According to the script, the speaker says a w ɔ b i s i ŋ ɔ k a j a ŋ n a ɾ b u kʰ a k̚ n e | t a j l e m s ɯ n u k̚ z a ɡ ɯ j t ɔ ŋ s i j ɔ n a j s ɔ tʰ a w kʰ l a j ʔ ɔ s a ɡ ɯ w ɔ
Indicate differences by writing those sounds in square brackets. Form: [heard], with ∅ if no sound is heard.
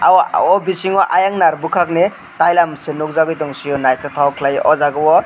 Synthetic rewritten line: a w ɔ b i s i ŋ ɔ [ʔ] a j a ŋ n a ɾ b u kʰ a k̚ n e | t a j l [a] m s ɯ n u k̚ z a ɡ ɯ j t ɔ ŋ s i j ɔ n a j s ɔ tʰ a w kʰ l a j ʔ ɔ [z] a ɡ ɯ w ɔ